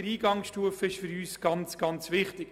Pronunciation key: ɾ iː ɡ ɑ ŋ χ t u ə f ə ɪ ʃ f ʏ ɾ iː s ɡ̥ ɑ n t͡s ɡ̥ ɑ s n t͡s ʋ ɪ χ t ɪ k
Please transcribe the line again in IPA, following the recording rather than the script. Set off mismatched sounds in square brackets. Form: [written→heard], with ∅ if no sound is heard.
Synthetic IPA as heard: ɾ iː ɡ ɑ ŋ [χ→ʃ] t u ə f ə ɪ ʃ f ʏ ɾ [iː→yː] s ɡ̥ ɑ n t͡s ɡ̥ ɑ [s→∅] n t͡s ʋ ɪ χ t ɪ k